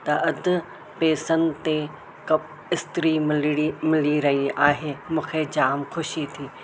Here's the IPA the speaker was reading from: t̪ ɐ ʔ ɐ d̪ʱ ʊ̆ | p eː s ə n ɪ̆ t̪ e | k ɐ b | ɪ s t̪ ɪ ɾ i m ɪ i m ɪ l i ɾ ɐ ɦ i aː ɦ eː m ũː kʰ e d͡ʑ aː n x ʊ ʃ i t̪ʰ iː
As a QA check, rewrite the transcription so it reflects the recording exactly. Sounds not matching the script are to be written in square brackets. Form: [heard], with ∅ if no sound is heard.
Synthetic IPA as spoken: t̪ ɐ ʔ ɐ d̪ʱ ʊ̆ | p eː s ə n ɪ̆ t̪ e | k ɐ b | ɪ s t̪ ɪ ɾ i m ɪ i m ɪ l i ɾ ɐ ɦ i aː ɦ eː m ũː kʰ e d͡ʑ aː [m] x ʊ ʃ i t̪ʰ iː